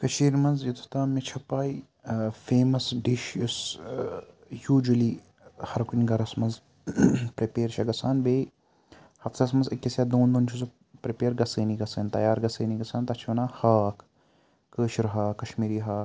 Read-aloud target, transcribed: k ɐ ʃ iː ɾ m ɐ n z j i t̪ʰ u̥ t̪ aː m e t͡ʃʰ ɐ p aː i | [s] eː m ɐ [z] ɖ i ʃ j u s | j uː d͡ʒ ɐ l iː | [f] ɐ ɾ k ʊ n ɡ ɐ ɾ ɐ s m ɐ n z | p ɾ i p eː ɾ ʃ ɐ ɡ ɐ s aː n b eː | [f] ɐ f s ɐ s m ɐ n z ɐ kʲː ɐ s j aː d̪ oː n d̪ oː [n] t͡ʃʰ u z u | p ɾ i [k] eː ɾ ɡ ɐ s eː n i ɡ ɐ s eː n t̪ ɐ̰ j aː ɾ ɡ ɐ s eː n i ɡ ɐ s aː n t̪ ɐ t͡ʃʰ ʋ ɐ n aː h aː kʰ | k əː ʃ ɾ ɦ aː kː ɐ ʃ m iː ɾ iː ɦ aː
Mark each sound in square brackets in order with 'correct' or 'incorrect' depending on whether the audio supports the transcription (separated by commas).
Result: incorrect, incorrect, incorrect, incorrect, correct, incorrect